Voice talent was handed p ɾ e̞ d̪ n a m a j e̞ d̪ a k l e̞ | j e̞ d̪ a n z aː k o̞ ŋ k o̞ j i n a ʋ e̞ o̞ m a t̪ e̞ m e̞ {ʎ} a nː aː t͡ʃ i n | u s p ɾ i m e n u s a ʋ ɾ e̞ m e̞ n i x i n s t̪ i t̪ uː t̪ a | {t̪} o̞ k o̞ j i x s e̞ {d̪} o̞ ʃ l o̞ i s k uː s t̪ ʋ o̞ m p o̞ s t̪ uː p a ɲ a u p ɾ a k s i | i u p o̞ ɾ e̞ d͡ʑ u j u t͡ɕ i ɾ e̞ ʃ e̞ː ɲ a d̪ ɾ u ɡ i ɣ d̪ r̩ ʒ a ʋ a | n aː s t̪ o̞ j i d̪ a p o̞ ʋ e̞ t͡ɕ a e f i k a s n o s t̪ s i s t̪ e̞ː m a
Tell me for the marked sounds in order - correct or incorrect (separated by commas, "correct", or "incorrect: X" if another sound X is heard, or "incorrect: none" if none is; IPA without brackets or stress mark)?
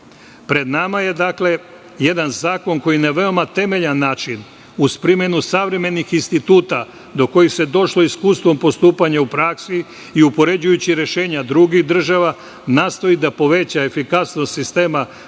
correct, incorrect: d̪, correct